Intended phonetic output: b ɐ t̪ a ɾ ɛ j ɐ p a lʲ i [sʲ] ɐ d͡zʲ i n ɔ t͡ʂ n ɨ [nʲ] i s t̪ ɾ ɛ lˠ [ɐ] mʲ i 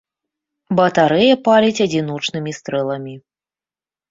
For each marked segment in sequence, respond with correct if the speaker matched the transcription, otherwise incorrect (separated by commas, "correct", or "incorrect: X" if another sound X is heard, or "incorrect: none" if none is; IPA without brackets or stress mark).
incorrect: t͡sʲ, incorrect: mʲ, correct